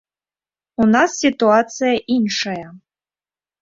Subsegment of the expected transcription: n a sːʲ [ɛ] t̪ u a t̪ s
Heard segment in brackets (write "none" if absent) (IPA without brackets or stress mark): i